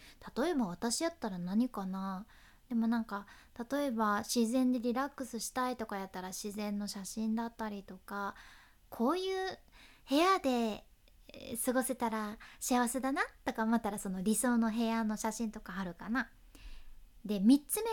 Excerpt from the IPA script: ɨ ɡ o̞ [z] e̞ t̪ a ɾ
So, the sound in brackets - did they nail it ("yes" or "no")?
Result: no